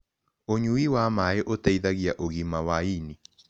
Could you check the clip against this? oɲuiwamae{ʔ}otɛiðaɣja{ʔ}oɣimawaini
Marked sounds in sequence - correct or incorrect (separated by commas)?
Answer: correct, correct